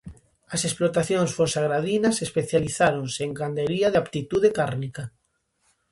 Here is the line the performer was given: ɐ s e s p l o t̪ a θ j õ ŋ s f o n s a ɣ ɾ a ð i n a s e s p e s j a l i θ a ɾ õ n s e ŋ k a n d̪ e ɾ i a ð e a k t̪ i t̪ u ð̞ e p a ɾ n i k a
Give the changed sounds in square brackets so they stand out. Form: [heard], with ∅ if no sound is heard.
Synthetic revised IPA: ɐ s e s p l o t̪ a θ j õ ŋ s f o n s a ɣ ɾ a ð i n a s e s p e [θ] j a l i θ a ɾ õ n s e ŋ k a n d̪ e ɾ i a ð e a [p] t̪ i t̪ u ð̞ e [k] a ɾ n i k a